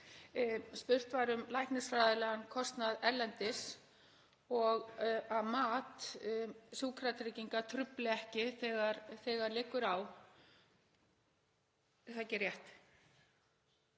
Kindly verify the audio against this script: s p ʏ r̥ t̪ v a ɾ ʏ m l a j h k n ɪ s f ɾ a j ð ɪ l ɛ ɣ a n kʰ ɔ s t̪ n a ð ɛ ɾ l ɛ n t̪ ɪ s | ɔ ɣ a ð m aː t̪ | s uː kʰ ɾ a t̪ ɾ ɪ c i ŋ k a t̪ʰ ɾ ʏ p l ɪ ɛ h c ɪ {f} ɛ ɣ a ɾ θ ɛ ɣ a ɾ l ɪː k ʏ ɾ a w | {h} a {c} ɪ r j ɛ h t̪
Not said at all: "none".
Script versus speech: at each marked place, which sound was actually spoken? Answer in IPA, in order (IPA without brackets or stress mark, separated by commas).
θ, θ, c